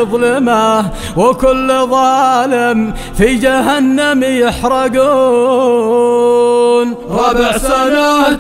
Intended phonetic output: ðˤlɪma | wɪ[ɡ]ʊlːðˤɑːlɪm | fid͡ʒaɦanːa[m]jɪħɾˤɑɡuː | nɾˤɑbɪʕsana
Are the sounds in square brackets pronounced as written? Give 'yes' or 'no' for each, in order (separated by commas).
no, yes